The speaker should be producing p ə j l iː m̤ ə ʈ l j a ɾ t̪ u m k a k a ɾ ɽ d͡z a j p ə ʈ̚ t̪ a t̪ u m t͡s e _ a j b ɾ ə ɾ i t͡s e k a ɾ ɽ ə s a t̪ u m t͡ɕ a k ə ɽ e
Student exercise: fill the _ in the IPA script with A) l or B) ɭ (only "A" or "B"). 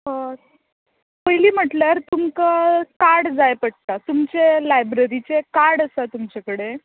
A